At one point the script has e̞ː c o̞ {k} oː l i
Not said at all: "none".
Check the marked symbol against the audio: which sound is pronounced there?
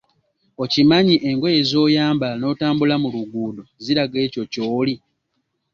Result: c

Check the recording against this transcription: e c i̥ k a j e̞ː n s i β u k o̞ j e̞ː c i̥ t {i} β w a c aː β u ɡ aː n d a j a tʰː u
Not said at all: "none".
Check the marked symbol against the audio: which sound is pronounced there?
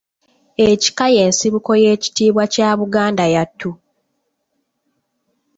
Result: iː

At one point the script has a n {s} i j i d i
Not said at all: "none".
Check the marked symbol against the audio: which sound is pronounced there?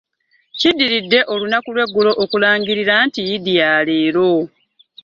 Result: t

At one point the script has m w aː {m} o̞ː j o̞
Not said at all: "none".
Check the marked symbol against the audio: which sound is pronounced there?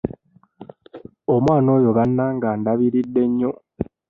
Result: n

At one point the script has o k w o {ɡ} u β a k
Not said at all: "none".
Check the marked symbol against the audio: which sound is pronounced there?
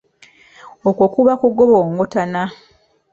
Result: k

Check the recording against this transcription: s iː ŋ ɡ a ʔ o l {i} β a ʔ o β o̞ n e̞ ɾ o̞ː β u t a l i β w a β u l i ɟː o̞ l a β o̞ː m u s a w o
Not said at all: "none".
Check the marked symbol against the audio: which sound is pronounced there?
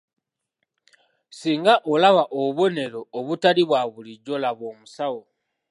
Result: a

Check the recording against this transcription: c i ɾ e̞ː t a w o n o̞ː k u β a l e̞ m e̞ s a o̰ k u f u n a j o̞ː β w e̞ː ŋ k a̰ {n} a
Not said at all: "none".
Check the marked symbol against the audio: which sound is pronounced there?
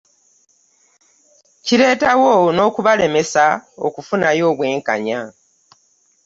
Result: ɲ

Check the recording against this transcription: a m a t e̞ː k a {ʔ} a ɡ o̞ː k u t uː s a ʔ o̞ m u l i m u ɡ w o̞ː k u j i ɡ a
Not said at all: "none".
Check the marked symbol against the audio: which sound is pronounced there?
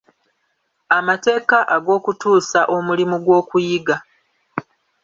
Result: ʔ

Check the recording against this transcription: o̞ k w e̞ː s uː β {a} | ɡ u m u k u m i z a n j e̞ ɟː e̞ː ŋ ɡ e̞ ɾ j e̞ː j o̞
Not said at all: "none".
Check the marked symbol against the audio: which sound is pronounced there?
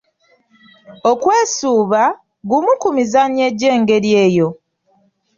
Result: a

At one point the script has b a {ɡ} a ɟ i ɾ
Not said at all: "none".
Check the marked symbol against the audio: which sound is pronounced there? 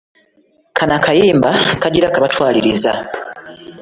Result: k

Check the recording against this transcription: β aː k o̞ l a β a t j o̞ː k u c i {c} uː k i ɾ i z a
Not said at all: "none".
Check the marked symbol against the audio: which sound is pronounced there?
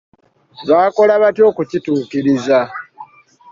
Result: t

